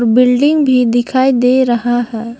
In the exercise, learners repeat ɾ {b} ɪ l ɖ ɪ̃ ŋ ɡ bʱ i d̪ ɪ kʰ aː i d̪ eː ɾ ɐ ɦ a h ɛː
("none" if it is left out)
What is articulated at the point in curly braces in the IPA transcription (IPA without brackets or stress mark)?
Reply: b